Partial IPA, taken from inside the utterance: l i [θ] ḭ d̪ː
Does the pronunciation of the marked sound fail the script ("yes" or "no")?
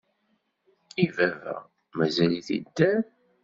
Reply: no